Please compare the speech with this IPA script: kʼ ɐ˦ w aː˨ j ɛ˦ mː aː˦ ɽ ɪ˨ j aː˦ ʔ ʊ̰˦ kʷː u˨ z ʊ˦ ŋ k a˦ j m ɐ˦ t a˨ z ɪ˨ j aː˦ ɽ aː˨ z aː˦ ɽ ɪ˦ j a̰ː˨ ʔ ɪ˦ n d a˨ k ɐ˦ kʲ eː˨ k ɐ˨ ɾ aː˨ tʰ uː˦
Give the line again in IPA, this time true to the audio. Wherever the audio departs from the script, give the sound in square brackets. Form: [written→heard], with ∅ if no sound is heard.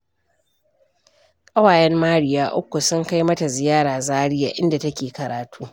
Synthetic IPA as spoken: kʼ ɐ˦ w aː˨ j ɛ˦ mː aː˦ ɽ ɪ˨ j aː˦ ʔ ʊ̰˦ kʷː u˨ [z→s] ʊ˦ ŋ k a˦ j m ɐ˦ t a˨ z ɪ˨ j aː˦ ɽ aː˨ z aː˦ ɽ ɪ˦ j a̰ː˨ ʔ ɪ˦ n d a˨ [k→t] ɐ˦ kʲ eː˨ k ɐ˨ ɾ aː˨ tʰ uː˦